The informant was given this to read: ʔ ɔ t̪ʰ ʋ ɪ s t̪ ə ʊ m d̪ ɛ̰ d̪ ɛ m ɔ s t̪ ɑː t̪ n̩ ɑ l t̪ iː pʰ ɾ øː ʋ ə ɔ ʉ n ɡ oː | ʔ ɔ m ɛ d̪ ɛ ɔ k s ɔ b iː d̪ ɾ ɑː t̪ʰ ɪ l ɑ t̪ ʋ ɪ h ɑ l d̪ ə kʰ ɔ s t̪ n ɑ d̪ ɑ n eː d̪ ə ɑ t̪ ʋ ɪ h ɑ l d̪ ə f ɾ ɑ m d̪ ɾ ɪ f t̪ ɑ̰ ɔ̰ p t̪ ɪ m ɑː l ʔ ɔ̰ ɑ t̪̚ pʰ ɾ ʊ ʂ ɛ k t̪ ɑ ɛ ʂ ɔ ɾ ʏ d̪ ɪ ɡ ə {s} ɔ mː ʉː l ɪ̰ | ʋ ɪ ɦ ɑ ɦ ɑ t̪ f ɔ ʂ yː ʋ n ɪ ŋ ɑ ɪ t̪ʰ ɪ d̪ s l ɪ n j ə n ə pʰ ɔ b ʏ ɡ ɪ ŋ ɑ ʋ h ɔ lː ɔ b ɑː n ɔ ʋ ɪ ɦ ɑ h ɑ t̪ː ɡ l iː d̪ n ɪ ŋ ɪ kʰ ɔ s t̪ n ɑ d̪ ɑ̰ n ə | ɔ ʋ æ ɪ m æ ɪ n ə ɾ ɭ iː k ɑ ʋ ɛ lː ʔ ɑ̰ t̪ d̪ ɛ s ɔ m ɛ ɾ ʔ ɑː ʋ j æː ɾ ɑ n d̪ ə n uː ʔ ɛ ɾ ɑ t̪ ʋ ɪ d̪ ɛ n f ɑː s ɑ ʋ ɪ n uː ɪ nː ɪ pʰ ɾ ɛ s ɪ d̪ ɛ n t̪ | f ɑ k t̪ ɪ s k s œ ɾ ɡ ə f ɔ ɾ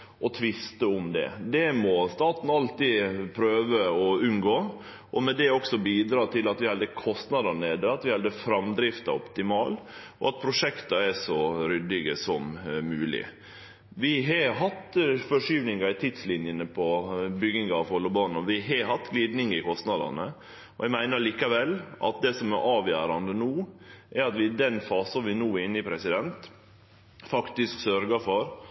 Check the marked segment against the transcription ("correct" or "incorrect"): correct